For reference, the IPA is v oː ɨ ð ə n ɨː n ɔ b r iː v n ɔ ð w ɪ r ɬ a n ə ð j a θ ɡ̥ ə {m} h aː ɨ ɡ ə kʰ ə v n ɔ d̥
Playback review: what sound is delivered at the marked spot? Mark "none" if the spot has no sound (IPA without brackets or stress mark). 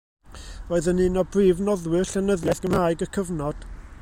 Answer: m